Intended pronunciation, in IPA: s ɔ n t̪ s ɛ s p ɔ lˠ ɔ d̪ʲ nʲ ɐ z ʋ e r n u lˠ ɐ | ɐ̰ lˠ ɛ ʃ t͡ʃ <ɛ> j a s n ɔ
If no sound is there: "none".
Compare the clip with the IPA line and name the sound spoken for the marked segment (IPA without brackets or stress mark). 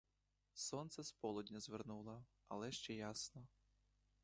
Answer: ɛ